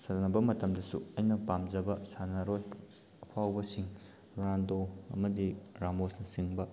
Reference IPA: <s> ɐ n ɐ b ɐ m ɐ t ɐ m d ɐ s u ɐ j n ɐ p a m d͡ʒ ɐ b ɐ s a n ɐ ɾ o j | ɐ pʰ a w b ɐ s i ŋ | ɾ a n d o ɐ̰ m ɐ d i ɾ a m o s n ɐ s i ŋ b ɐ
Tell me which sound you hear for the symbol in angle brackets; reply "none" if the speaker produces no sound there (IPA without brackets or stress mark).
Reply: s